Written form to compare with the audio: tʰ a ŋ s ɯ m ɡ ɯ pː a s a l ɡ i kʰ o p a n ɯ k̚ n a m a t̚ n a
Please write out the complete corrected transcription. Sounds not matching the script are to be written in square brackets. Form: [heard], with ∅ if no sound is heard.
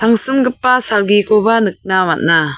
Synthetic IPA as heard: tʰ a ŋ s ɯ m ɡ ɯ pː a s a l ɡ i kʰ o [b] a n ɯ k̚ n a m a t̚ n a